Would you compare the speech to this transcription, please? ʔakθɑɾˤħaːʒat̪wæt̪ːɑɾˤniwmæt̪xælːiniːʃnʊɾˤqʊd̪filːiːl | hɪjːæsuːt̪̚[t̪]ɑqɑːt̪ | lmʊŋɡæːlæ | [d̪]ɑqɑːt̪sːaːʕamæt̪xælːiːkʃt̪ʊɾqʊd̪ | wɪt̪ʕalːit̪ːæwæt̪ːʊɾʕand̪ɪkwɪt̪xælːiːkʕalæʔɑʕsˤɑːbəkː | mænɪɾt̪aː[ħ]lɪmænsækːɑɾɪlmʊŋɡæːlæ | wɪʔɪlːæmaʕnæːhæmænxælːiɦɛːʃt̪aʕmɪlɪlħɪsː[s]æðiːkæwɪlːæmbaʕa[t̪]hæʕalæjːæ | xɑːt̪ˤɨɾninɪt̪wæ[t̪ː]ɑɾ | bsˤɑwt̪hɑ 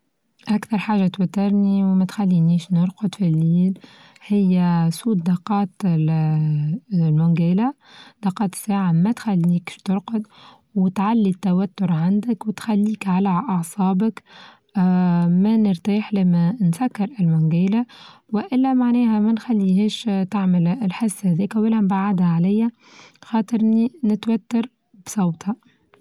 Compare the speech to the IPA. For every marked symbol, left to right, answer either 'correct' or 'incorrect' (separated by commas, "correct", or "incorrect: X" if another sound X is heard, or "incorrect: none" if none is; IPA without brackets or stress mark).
incorrect: d̪, correct, correct, incorrect: h, incorrect: d̪, correct